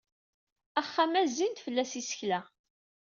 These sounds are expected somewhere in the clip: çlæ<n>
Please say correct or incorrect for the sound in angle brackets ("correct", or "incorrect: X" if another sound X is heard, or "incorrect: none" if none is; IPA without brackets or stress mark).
incorrect: none